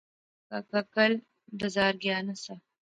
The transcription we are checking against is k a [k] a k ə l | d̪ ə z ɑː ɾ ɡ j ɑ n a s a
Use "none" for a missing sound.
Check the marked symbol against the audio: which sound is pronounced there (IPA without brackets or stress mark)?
k